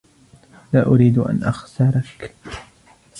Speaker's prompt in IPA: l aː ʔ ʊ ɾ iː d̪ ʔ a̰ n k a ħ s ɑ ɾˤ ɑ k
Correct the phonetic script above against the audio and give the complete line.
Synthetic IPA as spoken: l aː ʔ ʊ ɾ iː d̪ ʔ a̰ n ʔ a x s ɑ ɾˤ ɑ k